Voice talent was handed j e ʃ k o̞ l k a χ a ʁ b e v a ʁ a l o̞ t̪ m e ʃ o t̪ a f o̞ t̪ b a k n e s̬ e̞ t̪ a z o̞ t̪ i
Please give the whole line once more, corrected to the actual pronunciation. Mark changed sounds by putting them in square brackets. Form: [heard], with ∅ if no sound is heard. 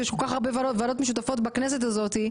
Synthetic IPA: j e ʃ k o̞ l k a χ a ʁ b e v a [v] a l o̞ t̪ m e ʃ [u] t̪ a f o̞ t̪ b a k n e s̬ e̞ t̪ a z o̞ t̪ i